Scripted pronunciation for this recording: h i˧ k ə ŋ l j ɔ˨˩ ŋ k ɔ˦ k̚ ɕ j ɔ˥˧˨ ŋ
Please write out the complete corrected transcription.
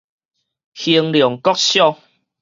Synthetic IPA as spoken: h i˧ ə ŋ l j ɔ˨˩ ŋ k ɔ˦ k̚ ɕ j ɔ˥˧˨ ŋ

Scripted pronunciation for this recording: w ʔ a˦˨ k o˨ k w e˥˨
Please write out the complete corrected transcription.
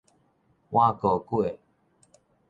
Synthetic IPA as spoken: w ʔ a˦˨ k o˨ k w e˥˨

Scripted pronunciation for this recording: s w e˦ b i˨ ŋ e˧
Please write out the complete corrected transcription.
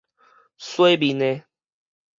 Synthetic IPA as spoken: s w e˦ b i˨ n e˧

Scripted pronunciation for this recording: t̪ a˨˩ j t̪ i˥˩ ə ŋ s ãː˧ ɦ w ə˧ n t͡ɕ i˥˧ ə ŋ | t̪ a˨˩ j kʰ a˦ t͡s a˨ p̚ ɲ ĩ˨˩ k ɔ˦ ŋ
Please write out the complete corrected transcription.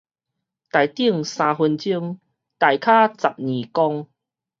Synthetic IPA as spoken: t̪ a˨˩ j t̪ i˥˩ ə ŋ s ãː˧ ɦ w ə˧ n t͡ɕ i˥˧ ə ŋ | t̪ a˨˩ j kʰ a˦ t͡s a˨ p̚ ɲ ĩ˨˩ k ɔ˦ ŋ

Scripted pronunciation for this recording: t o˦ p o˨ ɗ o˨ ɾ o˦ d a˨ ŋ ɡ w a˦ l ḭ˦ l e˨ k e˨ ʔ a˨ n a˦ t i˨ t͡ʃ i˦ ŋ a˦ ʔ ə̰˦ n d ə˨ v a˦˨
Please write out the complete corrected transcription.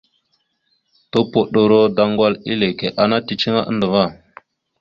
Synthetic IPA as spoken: t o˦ p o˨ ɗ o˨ ɾ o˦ d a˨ ŋ ɡ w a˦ l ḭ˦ l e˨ k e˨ ʔ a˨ n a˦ t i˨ t͡ʃ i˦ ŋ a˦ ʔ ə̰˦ n d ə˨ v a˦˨

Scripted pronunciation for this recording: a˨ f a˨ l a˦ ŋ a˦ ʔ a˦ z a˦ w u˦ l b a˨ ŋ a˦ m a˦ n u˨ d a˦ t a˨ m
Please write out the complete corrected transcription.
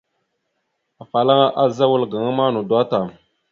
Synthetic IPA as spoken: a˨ f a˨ l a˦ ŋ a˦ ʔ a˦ z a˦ w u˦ l ɡ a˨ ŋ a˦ m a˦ n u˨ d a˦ t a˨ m

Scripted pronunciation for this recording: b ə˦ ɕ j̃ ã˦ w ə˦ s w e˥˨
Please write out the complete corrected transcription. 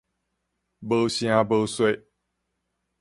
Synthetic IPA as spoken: b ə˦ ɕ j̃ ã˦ b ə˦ s w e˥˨

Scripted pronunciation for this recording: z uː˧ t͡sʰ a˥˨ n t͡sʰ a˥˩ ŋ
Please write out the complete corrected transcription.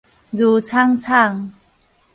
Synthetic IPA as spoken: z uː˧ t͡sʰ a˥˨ ŋ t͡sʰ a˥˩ ŋ

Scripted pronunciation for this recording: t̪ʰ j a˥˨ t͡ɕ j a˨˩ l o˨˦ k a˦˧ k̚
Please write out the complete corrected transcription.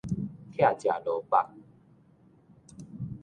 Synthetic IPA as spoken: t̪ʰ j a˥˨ t͡ɕ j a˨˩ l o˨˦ p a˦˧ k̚

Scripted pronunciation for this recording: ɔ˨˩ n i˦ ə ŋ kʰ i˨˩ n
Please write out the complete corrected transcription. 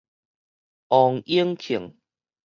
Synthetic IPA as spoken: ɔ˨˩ ŋ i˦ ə ŋ kʰ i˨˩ ŋ

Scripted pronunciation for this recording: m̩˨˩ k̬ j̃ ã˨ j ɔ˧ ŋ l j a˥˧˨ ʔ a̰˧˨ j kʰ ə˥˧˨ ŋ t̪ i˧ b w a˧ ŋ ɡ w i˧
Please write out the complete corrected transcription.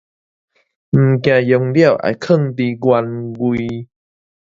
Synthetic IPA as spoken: m̩˨˩ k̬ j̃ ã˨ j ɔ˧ ŋ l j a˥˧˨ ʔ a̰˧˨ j kʰ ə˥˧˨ ŋ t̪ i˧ ɡ w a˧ n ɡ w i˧

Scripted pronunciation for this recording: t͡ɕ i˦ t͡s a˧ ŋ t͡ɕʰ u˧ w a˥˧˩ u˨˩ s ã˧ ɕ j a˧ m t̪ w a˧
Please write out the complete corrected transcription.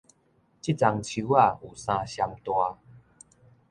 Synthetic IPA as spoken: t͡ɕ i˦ t͡s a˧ ŋ t͡ɕʰ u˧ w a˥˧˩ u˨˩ s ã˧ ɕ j a˧ m t̪ w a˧

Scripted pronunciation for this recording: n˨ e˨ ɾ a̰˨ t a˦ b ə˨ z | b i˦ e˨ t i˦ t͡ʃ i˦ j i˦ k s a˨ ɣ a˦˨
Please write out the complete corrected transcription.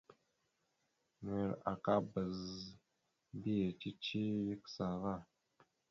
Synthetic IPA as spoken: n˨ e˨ ɾ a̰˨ k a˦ b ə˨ z | b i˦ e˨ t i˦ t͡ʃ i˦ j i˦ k s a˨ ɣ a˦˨

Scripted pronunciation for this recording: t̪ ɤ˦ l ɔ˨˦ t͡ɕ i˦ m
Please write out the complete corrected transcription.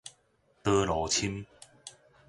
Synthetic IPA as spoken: t̪ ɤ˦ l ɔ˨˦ t͡ɕʰ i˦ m

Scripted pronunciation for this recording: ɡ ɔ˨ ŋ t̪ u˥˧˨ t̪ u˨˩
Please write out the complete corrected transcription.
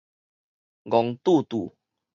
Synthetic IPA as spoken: ɡ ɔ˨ ŋ t̪ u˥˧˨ t̪ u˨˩

